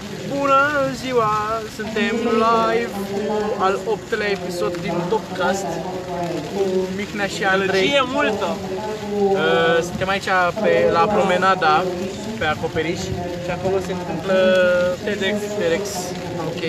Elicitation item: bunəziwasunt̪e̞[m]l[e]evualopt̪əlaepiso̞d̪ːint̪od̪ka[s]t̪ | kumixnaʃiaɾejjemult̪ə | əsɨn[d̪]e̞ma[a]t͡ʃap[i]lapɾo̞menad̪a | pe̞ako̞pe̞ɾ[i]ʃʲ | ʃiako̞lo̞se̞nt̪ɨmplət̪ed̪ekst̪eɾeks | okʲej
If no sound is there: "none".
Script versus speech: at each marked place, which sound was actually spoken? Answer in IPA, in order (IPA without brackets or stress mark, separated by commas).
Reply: m, a, s, t̪, i, e, i